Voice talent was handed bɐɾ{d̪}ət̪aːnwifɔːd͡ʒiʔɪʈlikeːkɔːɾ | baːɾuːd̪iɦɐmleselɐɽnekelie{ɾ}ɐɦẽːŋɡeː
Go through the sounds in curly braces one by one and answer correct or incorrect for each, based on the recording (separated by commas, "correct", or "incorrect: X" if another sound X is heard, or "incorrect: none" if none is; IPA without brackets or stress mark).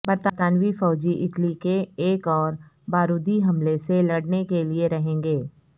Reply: incorrect: t̪, correct